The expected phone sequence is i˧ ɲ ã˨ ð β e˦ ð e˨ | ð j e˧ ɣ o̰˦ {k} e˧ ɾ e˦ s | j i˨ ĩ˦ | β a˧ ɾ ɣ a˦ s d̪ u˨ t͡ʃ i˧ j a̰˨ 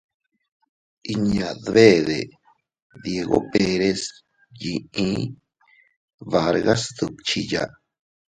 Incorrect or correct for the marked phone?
incorrect: p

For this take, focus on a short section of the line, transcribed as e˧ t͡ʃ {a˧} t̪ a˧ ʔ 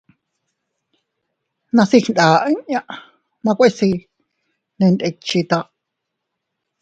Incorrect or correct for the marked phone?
incorrect: i˧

